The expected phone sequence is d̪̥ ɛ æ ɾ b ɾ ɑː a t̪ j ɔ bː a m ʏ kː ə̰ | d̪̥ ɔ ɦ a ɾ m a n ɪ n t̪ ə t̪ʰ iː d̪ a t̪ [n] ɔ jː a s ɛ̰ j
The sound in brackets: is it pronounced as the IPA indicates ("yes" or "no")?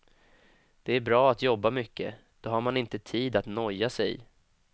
yes